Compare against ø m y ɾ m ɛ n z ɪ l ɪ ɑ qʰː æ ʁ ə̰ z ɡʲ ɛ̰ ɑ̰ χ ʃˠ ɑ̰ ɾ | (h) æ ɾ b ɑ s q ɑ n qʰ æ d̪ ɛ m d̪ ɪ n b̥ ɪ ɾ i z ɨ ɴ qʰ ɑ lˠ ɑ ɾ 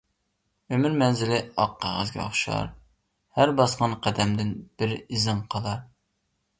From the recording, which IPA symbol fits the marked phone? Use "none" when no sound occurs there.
h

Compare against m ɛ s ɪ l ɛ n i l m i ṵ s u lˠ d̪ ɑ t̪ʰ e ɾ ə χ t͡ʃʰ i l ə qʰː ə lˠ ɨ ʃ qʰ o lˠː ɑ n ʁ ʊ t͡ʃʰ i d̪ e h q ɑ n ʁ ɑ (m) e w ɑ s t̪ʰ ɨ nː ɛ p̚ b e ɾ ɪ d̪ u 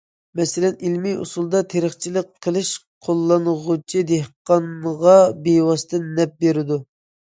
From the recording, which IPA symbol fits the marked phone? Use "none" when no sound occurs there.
b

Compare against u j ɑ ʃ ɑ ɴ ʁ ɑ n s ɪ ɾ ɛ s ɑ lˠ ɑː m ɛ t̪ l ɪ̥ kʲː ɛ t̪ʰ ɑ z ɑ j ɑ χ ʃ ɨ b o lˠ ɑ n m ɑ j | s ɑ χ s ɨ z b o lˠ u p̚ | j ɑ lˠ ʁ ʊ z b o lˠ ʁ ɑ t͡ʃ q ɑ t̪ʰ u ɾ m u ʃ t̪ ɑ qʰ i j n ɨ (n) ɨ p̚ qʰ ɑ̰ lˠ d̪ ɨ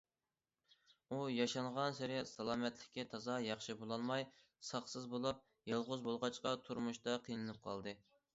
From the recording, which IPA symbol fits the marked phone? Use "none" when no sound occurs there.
n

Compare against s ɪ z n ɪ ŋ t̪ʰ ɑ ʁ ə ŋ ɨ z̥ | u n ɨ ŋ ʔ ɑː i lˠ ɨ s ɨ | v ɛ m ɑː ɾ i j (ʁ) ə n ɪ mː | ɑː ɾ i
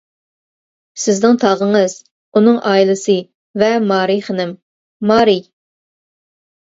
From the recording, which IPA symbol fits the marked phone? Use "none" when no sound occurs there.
χ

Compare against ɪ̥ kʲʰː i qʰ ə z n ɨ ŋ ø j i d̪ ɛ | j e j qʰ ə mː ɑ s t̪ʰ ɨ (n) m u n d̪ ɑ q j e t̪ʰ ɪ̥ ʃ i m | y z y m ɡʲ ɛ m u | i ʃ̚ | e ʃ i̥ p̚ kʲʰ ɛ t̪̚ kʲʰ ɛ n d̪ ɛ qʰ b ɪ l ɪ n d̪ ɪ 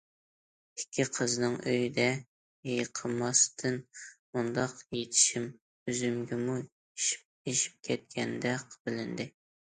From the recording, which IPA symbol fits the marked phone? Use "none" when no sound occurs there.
n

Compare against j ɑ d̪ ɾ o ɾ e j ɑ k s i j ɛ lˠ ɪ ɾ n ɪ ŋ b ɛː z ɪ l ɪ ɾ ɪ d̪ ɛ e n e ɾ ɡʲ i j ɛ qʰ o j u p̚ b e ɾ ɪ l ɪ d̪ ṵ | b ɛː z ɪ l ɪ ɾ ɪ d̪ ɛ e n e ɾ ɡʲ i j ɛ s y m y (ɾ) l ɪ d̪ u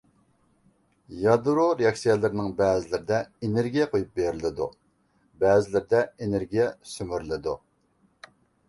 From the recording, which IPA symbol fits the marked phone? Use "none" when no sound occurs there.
ɾ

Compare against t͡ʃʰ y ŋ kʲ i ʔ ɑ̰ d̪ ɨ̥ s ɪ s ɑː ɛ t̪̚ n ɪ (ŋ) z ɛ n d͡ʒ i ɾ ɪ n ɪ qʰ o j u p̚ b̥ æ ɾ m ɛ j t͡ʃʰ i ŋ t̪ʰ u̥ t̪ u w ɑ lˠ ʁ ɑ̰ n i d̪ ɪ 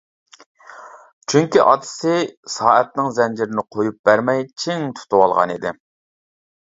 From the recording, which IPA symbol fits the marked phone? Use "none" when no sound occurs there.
ŋ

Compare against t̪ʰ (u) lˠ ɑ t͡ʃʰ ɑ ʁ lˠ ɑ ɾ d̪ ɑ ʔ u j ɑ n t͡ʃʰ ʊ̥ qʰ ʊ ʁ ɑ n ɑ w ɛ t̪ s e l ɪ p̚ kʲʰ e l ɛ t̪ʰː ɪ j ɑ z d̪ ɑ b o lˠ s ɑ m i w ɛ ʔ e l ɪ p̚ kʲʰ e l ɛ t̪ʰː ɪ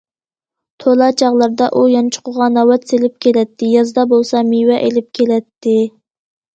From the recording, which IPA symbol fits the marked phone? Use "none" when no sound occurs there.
o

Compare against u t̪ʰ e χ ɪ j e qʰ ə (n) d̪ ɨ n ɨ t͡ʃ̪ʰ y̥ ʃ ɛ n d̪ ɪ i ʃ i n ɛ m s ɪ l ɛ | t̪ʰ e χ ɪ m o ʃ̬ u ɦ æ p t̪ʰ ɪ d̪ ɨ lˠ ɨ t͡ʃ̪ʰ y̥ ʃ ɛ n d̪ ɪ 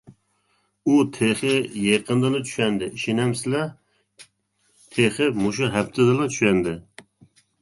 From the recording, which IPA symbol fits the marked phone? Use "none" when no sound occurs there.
n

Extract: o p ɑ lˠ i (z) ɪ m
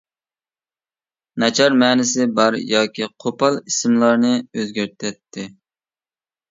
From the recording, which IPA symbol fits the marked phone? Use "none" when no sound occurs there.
s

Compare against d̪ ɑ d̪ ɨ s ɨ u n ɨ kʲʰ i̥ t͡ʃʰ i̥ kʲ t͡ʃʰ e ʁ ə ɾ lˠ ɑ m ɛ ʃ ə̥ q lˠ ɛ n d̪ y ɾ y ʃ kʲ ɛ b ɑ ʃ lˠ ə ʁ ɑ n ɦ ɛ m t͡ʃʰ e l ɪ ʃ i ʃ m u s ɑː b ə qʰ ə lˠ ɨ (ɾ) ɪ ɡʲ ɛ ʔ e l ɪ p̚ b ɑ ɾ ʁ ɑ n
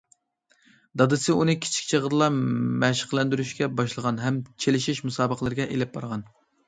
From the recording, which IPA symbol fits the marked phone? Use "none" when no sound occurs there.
ɾ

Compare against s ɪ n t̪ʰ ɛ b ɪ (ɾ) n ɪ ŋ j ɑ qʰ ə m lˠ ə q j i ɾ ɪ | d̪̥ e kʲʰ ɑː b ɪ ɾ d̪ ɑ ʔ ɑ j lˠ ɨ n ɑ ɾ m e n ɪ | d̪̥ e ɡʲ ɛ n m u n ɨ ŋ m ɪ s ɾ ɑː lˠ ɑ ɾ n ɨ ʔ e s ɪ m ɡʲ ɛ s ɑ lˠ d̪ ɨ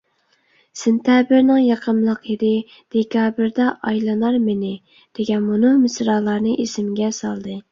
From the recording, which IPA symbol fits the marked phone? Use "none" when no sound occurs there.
ɾ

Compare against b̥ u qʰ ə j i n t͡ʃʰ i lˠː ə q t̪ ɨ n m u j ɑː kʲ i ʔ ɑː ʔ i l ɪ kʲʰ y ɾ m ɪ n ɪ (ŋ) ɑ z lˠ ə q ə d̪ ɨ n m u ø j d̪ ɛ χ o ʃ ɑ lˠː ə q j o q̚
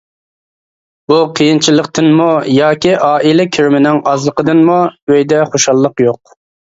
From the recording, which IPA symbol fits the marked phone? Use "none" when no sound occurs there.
ŋ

